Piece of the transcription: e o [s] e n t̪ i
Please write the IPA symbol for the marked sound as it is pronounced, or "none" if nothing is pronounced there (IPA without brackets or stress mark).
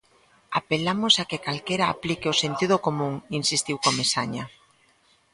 s